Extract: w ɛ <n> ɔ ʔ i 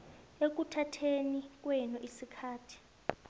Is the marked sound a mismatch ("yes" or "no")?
no